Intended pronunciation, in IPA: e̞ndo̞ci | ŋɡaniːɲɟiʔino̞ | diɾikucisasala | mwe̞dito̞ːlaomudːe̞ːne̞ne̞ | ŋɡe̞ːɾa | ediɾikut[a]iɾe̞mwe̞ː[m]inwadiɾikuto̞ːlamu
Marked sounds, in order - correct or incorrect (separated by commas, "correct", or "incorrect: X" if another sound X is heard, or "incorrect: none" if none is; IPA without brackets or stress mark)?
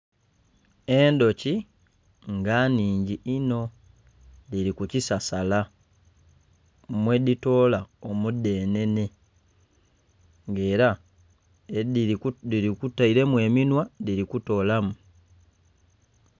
correct, correct